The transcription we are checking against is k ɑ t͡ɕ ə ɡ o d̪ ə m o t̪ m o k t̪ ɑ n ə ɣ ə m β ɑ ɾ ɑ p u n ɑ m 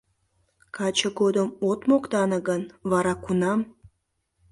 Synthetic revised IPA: k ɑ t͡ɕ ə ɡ o d̪ ə m o t̪ m o k t̪ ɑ n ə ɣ ə n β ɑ ɾ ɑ k u n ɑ m